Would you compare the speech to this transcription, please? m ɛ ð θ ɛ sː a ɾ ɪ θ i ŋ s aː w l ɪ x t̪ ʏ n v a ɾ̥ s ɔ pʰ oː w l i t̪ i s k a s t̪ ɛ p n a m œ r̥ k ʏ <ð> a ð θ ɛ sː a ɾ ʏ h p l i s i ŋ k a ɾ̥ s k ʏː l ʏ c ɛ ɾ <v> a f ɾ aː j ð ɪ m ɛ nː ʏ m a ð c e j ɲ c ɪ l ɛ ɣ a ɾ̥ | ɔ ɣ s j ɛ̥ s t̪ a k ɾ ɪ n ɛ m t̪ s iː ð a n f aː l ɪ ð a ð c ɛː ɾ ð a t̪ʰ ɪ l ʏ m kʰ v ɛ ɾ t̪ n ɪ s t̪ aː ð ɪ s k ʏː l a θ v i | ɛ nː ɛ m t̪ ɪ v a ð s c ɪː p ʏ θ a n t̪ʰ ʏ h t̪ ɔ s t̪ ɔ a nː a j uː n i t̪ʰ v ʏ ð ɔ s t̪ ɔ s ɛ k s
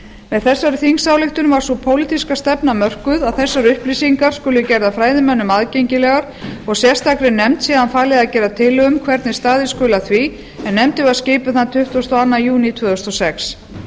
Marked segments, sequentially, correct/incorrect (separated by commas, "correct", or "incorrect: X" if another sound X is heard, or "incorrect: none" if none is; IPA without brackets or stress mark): correct, incorrect: ð